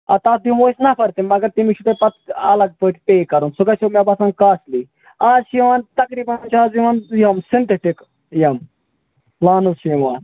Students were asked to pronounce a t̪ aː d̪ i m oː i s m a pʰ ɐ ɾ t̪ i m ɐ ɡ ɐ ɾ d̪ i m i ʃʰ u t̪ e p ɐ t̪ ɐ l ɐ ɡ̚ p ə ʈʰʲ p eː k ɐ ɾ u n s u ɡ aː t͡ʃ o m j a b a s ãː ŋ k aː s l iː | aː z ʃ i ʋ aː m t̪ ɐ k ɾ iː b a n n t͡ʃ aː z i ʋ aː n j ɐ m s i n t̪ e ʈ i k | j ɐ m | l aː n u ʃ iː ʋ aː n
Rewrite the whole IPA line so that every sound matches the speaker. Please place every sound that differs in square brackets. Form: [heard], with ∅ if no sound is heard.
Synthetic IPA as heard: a t̪ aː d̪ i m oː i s [n] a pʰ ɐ ɾ t̪ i m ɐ ɡ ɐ ɾ [t̪] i m i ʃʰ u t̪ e p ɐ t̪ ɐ l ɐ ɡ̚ p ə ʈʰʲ p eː k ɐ ɾ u n s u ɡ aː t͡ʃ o m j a b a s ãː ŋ k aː s l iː | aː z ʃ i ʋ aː [n] t̪ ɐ k ɾ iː b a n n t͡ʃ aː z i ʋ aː n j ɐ m s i n t̪ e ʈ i k | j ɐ m | l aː n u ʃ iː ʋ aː n